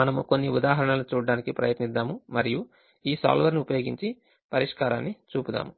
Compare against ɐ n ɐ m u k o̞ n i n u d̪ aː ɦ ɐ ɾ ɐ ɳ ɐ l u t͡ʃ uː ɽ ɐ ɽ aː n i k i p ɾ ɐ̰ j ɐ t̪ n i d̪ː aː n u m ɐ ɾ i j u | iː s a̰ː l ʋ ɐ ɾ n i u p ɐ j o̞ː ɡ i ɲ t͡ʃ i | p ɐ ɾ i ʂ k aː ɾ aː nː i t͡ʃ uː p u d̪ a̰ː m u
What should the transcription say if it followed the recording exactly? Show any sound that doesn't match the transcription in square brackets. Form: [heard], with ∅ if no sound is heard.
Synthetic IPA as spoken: ɐ n ɐ m u k o̞ [nː] i [∅] u d̪ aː ɦ ɐ ɾ ɐ ɳ ɐ l u t͡ʃ uː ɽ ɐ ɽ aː n i k i p ɾ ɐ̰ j ɐ t̪ n i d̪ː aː [m] u m ɐ ɾ i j u | iː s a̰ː l ʋ ɐ ɾ n i u p ɐ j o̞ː ɡ i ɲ t͡ʃ i | p ɐ ɾ i ʂ k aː ɾ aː nː i t͡ʃ uː p u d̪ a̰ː m u